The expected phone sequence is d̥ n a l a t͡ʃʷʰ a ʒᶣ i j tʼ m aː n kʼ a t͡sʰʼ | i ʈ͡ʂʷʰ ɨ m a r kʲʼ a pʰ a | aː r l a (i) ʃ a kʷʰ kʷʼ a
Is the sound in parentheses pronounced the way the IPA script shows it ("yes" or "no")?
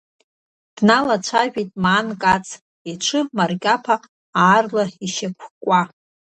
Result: yes